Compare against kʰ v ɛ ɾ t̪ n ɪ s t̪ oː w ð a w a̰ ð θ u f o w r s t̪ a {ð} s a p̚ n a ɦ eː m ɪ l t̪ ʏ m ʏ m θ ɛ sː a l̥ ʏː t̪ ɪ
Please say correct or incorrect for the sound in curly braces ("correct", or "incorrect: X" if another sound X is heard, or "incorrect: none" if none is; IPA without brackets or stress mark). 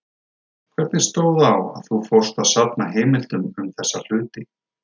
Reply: correct